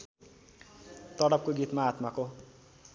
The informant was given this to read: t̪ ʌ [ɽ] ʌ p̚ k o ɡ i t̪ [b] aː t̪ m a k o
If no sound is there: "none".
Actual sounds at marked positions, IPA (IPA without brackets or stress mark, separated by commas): ɽ, m